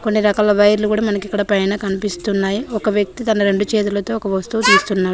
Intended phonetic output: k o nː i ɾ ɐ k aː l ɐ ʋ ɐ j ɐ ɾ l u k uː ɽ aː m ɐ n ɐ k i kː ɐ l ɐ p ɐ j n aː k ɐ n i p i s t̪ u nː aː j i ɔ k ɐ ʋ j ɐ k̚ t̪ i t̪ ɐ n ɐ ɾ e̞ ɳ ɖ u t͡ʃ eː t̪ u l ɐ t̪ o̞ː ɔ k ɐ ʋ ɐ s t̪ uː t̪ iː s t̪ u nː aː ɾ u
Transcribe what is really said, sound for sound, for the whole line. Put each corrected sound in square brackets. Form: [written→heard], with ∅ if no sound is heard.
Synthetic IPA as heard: k o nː i ɾ ɐ k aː l ɐ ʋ ɐ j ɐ ɾ l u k uː ɽ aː m ɐ n ɐ k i kː ɐ [l→ɽ] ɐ p ɐ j n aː k ɐ n i p i s t̪ u nː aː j i ɔ k ɐ ʋ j ɐ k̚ t̪ i t̪ ɐ n ɐ ɾ e̞ ɳ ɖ u t͡ʃ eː t̪ u l ɐ t̪ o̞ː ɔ k ɐ ʋ ɐ s t̪ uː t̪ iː s t̪ u nː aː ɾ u